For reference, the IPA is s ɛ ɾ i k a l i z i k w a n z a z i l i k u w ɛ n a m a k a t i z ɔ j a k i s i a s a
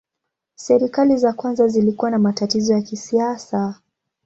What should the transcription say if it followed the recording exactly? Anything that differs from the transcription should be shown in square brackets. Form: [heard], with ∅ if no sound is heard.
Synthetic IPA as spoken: s ɛ ɾ i k a l i z [a] k w a n z a z i l i k u w [a] n a m a [t] a t i z ɔ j a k i s i a s a